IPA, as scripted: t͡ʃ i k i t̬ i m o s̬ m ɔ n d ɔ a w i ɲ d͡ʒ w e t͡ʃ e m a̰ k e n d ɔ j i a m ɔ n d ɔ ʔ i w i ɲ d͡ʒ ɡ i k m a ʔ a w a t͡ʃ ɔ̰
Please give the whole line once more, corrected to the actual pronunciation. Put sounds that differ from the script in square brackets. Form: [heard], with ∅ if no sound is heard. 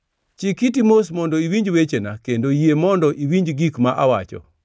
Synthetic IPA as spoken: t͡ʃ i k i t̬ i m o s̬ m ɔ n d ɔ [i] w i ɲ d͡ʒ w e t͡ʃ e [n] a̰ k e n d [o] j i [e] m ɔ n d ɔ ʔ i w i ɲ d͡ʒ ɡ i k m a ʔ a w a t͡ʃ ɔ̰